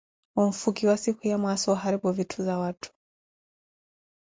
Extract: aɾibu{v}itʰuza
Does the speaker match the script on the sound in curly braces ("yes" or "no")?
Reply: yes